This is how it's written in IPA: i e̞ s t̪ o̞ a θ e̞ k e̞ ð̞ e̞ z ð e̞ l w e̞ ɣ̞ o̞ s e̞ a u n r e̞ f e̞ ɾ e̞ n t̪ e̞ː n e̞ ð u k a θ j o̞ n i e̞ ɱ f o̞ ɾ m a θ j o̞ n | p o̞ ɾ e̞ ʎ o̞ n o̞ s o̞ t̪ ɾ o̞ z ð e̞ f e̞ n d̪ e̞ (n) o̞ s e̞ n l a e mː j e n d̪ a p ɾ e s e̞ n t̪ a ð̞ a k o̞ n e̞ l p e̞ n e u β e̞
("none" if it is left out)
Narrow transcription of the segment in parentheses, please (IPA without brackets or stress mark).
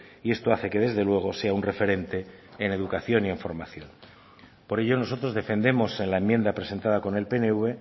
m